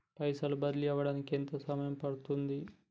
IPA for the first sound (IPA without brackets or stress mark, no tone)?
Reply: p